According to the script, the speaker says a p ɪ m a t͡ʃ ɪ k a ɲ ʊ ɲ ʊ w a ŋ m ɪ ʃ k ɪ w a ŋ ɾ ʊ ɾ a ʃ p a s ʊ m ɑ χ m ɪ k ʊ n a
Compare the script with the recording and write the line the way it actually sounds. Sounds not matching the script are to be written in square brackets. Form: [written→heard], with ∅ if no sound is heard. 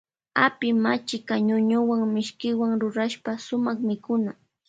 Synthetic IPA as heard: a p ɪ m a t͡ʃ ɪ k a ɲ ʊ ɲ ʊ w a ŋ m ɪ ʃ k ɪ w a ŋ ɾ ʊ ɾ a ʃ p a s ʊ m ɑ χ m ɪ k ʊ n a